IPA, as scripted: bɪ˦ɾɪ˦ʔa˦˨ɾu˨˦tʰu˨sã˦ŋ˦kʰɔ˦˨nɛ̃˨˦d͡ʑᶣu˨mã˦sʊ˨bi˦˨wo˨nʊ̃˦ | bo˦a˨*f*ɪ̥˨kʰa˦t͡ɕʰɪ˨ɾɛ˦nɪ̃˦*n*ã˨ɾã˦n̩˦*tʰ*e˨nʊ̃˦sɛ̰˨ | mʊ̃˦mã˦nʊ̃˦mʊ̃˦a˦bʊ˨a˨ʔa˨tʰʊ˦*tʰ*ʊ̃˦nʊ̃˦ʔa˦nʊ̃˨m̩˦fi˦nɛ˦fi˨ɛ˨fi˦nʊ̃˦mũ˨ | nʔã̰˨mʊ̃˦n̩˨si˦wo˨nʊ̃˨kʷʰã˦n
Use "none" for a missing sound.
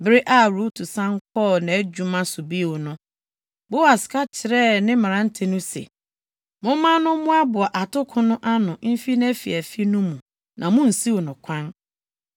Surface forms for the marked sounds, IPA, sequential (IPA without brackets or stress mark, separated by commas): s, m, tʰ, kʰ